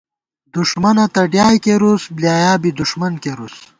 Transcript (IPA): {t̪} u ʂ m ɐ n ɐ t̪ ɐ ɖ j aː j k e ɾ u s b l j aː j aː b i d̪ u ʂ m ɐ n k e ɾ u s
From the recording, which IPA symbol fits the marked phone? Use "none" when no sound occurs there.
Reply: d̪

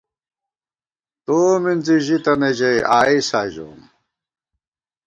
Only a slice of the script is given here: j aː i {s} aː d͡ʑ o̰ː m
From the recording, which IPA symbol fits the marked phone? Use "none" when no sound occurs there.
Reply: s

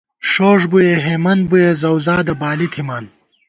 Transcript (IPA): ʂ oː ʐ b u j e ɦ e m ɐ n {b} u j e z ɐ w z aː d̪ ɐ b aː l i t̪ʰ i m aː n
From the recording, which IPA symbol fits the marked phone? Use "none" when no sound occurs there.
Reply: b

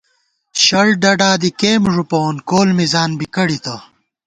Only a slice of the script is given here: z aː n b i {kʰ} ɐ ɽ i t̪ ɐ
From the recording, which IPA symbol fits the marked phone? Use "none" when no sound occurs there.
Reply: k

